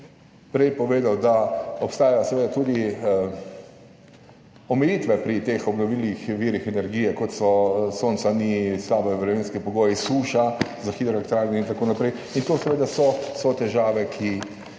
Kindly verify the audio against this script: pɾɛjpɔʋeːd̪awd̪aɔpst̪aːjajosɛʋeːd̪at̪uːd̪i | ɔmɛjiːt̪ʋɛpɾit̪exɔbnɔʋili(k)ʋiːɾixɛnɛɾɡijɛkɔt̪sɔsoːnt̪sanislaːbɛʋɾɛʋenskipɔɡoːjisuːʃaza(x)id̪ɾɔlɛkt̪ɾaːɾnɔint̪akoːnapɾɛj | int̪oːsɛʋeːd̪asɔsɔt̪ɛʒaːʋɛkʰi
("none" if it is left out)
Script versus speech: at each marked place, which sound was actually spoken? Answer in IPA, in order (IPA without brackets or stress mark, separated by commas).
x, x